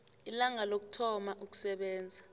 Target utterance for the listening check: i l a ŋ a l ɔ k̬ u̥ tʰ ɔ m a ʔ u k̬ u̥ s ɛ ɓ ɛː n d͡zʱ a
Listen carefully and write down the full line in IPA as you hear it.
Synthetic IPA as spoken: i l a ŋ a l o k̬ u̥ tʰ ɔ m a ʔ u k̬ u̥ s ɛ ɓ ɛː n d͡zʱ a